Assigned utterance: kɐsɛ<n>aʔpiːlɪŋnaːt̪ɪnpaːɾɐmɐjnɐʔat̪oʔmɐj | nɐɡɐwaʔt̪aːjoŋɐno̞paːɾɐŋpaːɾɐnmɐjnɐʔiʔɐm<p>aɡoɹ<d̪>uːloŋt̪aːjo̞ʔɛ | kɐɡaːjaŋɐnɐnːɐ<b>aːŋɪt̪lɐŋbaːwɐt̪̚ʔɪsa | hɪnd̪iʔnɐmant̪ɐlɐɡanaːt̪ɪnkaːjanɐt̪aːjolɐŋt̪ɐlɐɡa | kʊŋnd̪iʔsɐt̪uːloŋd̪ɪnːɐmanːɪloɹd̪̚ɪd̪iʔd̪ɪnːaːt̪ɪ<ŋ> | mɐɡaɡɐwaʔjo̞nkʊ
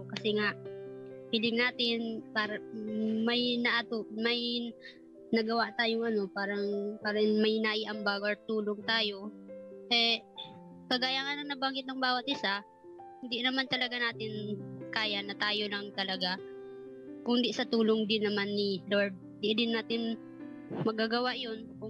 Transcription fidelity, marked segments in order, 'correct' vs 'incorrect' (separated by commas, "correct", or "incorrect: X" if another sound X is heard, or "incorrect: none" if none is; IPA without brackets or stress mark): incorrect: ŋ, incorrect: b, incorrect: t̪, correct, incorrect: n